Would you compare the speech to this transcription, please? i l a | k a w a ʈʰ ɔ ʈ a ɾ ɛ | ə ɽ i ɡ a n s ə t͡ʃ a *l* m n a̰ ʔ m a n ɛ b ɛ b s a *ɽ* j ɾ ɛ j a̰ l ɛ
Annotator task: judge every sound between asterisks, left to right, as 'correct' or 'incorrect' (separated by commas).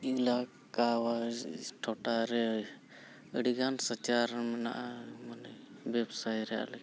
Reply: incorrect, incorrect